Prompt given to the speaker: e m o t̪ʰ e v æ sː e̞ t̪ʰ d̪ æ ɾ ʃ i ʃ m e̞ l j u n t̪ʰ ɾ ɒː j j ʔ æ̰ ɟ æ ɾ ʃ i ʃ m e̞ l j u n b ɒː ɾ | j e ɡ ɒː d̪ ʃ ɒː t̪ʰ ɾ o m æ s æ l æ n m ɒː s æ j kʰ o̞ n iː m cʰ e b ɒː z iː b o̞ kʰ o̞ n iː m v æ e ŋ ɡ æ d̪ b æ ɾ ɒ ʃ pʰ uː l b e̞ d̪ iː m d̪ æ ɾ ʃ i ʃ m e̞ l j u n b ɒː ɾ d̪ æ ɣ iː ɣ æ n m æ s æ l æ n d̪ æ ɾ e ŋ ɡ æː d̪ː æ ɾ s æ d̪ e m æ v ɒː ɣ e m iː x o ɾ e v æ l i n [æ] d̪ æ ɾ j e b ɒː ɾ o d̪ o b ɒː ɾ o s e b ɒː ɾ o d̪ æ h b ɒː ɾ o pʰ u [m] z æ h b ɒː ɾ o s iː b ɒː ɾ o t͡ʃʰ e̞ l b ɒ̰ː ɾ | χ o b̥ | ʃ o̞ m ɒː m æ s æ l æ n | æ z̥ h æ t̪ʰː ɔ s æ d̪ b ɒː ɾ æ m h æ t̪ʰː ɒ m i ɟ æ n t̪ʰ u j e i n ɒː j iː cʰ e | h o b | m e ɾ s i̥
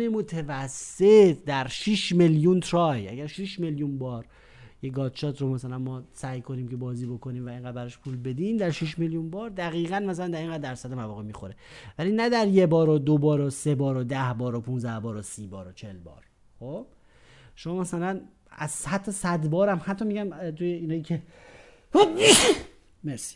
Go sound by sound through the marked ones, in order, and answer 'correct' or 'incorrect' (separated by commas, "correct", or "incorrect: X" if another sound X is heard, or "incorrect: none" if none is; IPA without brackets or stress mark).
correct, incorrect: n